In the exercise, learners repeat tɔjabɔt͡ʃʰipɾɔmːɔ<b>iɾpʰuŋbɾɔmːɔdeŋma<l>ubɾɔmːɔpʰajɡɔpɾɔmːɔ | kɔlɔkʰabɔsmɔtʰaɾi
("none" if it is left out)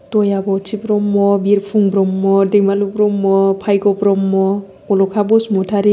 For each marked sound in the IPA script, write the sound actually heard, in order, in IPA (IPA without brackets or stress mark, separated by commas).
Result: b, l